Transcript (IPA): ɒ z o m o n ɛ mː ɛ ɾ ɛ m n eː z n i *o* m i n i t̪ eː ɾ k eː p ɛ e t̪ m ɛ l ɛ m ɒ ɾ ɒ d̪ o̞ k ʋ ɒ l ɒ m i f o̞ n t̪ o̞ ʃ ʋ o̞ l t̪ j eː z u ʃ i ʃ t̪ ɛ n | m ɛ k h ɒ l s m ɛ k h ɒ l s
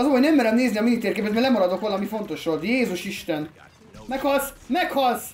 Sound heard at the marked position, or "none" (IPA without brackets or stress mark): ɒ